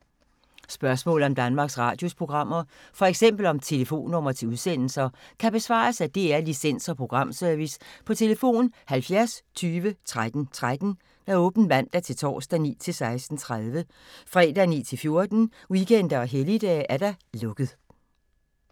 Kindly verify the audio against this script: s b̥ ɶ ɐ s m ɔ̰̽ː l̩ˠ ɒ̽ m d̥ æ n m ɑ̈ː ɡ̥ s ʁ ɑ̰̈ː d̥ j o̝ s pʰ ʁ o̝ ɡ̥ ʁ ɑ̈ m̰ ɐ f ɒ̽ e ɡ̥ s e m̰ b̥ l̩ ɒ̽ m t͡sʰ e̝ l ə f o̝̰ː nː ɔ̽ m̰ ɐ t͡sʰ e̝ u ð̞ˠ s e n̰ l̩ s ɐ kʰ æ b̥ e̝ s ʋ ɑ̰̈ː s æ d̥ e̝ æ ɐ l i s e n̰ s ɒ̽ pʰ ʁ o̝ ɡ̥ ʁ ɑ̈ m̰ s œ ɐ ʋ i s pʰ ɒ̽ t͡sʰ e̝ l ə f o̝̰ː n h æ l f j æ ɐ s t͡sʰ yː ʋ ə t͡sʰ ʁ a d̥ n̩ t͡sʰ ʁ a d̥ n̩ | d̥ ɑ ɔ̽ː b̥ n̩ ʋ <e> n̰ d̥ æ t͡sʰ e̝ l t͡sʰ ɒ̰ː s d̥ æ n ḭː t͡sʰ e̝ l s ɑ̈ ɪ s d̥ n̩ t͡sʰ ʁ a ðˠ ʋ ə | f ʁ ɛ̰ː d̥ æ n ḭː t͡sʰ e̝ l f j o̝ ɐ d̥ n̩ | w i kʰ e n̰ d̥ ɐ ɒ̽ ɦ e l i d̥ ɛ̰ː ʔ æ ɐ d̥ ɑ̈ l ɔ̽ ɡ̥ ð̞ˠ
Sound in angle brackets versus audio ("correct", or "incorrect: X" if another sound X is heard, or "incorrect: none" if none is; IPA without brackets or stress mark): incorrect: æ